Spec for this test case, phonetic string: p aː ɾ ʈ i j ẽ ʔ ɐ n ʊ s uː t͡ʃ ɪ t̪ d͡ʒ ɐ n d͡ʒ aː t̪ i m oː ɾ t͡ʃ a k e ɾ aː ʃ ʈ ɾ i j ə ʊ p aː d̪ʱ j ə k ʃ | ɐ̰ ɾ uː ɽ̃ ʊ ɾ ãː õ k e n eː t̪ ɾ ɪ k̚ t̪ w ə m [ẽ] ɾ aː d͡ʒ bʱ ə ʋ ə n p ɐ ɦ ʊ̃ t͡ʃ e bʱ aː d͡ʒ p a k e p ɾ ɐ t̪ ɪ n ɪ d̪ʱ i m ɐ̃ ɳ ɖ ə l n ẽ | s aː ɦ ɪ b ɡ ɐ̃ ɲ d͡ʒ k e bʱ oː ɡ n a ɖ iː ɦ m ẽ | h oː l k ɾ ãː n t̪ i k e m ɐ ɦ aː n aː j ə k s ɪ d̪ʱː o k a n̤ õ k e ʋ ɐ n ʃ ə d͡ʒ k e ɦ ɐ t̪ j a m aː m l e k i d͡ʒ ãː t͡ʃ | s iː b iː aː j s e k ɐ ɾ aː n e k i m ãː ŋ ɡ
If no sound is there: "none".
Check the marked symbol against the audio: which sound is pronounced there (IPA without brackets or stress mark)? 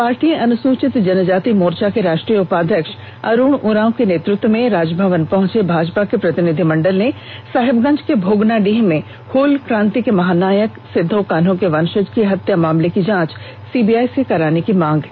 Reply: ẽ